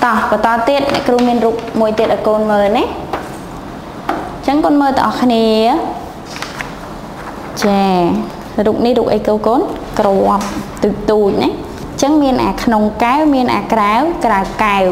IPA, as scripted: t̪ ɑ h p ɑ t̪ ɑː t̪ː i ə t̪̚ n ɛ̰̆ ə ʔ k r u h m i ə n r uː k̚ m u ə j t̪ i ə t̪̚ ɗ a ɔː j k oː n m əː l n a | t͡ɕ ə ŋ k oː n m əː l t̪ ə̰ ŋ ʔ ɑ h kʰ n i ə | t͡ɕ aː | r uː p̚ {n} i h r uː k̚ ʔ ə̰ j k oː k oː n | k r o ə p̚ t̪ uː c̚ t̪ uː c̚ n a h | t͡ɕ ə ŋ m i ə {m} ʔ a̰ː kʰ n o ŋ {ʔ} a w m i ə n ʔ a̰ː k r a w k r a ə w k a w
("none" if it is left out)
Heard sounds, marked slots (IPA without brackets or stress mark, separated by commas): n, n, k